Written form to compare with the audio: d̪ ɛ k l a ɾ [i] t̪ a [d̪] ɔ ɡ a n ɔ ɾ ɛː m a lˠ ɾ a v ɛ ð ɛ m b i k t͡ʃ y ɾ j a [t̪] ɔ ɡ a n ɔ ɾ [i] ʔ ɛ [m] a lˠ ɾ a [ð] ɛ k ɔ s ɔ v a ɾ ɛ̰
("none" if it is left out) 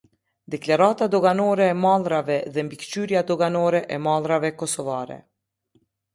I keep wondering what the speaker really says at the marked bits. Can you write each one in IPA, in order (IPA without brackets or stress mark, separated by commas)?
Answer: a, d̪, d̪, ɛ, m, v